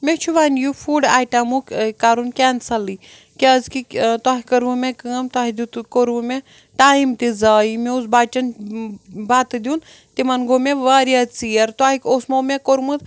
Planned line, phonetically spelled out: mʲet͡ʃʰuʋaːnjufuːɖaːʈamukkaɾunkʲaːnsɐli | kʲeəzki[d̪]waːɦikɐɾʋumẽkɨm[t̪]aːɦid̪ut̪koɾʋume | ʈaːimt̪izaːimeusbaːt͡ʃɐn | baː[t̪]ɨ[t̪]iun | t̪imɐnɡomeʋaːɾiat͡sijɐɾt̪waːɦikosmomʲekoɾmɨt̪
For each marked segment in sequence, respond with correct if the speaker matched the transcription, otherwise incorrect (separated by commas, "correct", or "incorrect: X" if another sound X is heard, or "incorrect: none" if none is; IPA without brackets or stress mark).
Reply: incorrect: t̪, correct, correct, incorrect: d̪